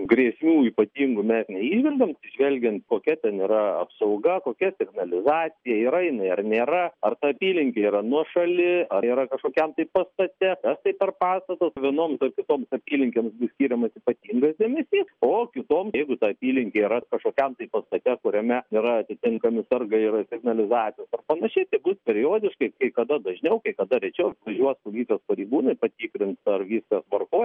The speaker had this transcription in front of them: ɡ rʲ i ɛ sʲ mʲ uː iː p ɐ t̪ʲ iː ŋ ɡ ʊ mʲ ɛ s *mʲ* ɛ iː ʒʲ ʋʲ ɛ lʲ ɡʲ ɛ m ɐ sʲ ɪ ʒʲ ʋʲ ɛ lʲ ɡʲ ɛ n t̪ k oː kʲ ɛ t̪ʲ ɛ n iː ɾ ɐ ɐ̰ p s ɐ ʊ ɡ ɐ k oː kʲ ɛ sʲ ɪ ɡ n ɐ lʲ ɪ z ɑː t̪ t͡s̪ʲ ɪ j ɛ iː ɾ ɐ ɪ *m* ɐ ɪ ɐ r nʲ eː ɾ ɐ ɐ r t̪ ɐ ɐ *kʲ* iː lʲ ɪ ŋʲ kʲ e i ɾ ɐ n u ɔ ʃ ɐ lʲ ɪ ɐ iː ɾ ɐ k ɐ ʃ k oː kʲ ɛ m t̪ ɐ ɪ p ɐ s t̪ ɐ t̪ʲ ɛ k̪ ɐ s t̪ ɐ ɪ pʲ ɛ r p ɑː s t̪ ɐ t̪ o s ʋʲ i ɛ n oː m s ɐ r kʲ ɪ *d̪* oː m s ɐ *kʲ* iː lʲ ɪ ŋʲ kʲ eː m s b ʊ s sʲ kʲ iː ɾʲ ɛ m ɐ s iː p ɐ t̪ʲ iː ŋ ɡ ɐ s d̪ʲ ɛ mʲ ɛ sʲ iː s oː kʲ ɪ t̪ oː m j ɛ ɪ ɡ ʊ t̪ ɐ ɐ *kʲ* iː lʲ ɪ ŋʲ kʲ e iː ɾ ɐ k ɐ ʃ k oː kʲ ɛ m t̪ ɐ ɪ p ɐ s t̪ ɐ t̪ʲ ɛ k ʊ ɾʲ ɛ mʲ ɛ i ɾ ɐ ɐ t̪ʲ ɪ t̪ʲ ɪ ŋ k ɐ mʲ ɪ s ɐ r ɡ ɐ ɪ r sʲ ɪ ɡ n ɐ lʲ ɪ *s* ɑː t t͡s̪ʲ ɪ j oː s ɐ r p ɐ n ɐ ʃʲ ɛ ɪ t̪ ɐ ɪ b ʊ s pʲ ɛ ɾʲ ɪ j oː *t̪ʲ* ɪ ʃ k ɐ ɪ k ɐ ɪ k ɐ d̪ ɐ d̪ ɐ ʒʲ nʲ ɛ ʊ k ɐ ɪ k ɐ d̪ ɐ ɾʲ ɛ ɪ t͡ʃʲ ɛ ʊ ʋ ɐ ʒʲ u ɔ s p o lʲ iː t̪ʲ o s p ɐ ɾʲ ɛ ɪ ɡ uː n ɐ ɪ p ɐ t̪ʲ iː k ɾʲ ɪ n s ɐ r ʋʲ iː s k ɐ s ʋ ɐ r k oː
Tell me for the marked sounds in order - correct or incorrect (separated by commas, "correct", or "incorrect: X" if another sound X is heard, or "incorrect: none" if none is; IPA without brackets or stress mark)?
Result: incorrect: nʲ, incorrect: n, incorrect: pʲ, incorrect: t̪, incorrect: pʲ, incorrect: pʲ, incorrect: z, incorrect: d̪ʲ